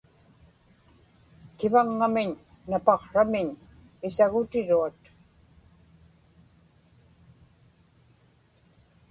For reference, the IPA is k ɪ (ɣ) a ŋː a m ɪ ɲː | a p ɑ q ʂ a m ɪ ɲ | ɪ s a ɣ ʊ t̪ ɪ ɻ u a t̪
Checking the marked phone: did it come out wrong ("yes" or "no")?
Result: yes